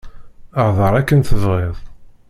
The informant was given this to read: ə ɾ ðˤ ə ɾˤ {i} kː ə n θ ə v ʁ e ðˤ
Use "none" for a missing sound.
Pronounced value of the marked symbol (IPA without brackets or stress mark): æ